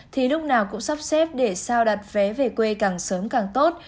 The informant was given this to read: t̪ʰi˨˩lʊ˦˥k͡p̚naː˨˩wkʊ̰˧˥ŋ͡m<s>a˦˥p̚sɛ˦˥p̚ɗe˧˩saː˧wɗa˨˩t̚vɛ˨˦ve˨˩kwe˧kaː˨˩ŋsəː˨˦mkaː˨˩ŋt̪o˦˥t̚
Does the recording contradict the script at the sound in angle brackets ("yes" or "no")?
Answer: no